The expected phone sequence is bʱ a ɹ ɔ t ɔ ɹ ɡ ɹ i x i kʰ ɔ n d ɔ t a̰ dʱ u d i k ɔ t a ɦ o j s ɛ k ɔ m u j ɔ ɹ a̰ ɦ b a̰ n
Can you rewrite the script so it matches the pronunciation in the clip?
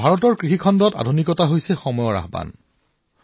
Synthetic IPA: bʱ a ɹ ɔ t ɔ ɹ k ɹ i x i kʰ ɔ n d ɔ t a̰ dʱ u n i k ɔ t a ɦ o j s ɛ x ɔ m ɔ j ɔ ɹ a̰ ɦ b a̰ n